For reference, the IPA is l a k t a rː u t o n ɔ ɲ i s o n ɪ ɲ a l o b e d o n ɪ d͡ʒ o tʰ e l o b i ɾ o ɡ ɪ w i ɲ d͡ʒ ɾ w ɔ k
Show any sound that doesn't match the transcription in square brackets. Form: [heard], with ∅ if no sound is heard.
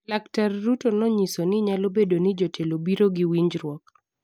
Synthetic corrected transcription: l a k t a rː u t o n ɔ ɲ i s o n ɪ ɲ a l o b e d o n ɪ d͡ʒ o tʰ e l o b i ɾ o ɡ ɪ w i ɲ d͡ʒ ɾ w ɔ k